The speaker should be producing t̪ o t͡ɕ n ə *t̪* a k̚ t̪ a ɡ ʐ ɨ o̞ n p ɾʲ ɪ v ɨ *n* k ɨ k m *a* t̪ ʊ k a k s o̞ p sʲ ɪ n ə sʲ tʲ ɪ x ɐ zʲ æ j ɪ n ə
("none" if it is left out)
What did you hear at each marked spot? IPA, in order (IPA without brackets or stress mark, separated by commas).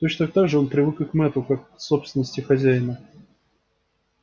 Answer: t̪, none, ɛ